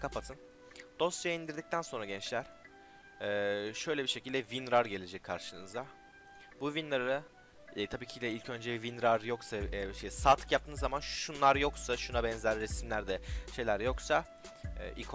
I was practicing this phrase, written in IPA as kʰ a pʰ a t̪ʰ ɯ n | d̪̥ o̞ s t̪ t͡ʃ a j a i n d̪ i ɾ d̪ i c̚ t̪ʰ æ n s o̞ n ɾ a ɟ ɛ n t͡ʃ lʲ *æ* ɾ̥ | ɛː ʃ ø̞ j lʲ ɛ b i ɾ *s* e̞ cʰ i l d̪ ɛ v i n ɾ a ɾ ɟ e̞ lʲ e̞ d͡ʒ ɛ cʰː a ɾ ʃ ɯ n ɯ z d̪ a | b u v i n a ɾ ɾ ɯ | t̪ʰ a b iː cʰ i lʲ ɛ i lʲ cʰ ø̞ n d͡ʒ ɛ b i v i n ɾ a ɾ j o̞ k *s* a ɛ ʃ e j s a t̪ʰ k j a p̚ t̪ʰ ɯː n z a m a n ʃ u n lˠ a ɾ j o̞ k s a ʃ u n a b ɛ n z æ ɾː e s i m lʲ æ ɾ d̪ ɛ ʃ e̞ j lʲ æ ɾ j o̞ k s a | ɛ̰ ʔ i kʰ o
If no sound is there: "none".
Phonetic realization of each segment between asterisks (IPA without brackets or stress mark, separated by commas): æ, ʃ, s